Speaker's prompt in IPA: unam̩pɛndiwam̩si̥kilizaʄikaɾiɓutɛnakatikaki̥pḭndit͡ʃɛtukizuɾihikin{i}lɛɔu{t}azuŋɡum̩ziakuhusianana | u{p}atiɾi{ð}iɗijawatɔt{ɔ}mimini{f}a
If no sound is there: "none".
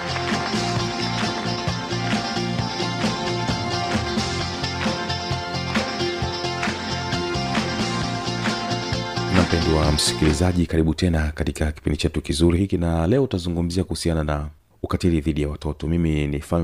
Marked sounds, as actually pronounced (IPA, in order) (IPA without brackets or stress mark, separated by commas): a, t, k, ð, ɔ, f